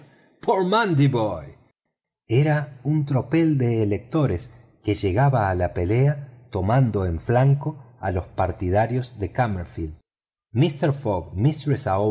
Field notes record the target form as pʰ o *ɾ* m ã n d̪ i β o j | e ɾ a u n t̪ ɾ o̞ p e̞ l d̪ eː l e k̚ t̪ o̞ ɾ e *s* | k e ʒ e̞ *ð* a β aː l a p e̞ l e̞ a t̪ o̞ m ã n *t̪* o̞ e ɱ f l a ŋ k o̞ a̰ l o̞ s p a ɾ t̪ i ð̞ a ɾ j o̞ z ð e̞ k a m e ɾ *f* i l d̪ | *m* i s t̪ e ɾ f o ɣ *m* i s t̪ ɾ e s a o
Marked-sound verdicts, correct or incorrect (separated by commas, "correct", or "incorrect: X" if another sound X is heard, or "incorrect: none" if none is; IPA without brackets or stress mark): correct, correct, incorrect: ɣ, incorrect: d̪, correct, correct, correct